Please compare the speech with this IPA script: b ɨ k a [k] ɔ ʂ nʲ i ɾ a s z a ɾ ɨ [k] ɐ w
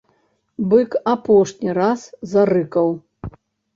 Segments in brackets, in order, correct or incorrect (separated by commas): incorrect, correct